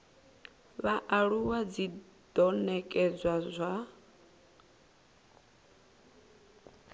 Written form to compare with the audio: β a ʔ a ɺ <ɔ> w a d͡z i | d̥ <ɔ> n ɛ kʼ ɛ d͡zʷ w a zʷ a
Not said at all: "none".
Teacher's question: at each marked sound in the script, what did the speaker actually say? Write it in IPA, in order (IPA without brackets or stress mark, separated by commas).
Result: u, ɔ